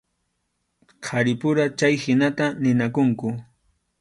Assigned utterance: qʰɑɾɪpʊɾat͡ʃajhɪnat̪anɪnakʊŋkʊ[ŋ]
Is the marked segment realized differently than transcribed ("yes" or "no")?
yes